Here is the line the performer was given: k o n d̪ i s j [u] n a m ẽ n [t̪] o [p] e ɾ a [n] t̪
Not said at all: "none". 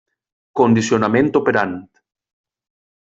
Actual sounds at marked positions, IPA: o, t̪, p, n

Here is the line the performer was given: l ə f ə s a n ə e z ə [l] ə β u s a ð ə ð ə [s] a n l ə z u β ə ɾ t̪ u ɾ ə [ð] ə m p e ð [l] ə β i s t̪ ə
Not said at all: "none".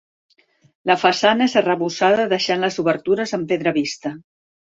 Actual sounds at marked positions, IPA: r, ʃ, z, ɾ

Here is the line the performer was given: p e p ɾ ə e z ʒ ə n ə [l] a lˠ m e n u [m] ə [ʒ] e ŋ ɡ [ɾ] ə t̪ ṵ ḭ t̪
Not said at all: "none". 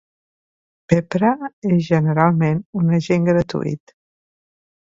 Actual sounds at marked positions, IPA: ɾ, n, ʒ, ɾ

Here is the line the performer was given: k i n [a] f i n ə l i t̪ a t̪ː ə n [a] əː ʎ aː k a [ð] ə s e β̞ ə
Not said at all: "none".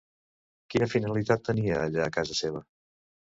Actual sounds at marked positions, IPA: ə, i, z

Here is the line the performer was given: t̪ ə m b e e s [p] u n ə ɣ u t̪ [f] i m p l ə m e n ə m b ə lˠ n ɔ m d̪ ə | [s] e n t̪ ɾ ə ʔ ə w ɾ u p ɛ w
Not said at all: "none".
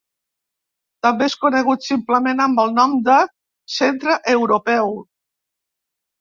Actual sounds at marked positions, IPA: k, s, s

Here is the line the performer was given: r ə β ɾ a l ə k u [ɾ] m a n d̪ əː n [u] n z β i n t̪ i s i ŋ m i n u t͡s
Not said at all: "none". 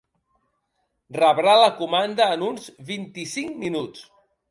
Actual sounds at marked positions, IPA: none, u

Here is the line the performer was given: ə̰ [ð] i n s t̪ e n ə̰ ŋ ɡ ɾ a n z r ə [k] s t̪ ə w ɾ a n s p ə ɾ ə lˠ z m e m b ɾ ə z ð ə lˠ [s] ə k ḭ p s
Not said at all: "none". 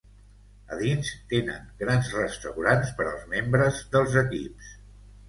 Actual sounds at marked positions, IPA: ð, none, z

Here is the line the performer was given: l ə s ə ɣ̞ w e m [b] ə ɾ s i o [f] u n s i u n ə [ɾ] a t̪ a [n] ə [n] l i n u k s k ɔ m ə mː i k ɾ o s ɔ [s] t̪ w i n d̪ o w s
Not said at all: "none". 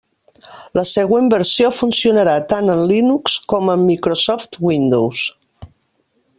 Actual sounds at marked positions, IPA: b, f, ɾ, n, n, f

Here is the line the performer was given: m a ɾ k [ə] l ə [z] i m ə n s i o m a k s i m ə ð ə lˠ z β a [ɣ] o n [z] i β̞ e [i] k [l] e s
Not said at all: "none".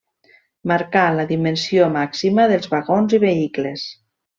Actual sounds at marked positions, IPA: a, ð, ɣ, z, i, l

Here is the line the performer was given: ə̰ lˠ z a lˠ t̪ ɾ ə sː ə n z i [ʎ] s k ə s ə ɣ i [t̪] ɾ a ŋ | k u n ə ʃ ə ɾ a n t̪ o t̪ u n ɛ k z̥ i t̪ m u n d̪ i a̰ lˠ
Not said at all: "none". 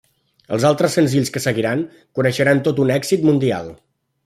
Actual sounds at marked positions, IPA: ʎ, none

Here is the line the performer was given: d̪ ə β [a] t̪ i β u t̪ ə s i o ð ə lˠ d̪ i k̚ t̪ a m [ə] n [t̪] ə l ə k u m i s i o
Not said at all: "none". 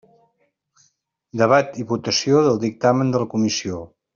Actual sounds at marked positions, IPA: a, ə, d̪

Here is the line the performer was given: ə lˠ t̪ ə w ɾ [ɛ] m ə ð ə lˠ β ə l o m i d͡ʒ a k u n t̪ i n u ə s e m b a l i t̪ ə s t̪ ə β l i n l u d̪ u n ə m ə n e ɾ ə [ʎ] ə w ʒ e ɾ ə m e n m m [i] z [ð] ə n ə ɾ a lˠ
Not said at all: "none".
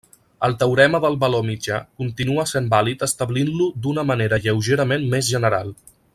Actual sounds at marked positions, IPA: ɛ, ʎ, e, ʒ

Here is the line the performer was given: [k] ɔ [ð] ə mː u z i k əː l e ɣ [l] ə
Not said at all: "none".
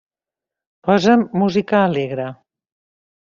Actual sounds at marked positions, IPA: p, z, ɾ

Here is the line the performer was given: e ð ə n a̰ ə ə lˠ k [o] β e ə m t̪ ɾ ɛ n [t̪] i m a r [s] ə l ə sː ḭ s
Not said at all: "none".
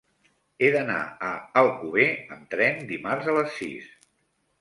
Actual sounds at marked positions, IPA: u, d̪, z

